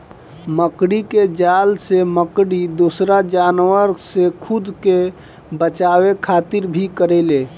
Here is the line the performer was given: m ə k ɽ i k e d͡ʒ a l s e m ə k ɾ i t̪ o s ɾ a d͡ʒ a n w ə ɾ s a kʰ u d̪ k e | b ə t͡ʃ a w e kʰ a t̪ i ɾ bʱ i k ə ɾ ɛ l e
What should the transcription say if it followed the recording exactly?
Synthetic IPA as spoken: m ə k ɽ i k e d͡ʒ a l s e m ə k ɽ i d̪ o s ɾ a d͡ʒ a n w ə ɾ s e kʰ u d̪ k e | b ə t͡ʃ a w e kʰ a t̪ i ɾ bʱ i k ə ɾ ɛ l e